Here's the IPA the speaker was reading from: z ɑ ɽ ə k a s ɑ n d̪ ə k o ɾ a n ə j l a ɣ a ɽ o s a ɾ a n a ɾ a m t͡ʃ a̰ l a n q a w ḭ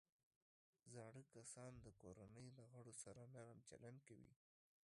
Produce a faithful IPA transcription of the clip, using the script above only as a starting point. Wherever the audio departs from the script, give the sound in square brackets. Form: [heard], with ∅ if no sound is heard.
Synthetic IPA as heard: z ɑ ɽ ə k a s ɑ n d̪ ə k o ɾ a n ə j l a ɣ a ɽ o s a ɾ a n a ɾ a m t͡ʃ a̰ l a n [k] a w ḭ